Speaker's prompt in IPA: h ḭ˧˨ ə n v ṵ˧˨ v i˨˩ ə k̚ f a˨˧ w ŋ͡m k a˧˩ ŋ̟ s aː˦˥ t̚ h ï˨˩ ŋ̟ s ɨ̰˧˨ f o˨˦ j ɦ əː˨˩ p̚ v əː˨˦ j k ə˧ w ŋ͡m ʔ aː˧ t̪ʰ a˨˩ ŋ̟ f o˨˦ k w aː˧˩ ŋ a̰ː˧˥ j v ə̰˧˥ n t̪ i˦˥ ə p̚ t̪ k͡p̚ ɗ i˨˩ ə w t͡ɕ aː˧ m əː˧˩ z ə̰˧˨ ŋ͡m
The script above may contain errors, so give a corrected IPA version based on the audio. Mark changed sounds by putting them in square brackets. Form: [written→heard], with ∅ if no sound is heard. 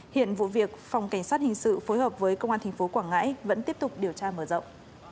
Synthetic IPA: h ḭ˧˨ ə n v ṵ˧˨ v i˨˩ ə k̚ f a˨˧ w ŋ͡m k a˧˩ ŋ̟ s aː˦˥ t̚ h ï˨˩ ŋ̟ s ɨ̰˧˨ f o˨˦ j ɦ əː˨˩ p̚ v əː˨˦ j k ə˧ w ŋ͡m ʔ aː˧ t̪ʰ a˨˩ ŋ̟ f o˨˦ k w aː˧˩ ŋ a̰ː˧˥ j v ə̰˧˥ n t̪ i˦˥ ə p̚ t̪ k͡p̚ ɗ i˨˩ ə w t͡ɕ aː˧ m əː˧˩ z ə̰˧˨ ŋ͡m